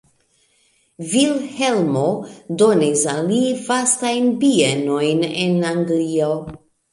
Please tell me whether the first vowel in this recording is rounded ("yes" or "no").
no